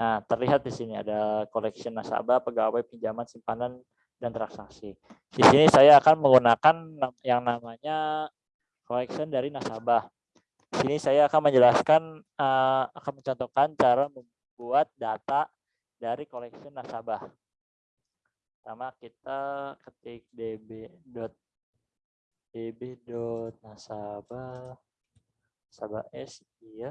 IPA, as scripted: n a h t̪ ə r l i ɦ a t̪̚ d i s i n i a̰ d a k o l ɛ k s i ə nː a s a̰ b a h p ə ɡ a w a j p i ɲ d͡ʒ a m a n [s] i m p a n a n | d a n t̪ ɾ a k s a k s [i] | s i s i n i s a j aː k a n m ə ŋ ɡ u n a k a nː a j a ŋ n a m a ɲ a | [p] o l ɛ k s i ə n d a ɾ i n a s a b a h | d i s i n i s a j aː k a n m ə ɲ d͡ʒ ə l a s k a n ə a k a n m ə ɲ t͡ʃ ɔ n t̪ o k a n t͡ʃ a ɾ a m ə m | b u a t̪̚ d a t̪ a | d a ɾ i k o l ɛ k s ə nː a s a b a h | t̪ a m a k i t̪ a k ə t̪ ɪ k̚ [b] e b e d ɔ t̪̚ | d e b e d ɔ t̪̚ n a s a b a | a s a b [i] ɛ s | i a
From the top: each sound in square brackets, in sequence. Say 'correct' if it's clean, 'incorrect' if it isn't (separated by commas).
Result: correct, correct, incorrect, incorrect, incorrect